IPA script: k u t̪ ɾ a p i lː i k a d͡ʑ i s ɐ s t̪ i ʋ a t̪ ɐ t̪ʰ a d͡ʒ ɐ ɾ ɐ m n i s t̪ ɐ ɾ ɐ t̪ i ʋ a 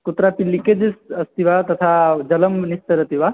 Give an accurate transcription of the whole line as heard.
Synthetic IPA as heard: k u t̪ ɾ a p i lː i k e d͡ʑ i s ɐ s t̪ i ʋ a t̪ ɐ t̪ʰ a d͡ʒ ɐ l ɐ m n i s t̪ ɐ ɾ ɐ t̪ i ʋ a